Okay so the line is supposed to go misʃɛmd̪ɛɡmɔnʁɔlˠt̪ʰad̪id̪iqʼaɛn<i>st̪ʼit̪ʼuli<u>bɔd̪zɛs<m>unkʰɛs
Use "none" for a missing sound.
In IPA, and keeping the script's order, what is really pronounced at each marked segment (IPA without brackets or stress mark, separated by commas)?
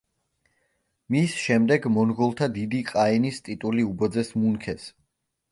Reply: i, u, m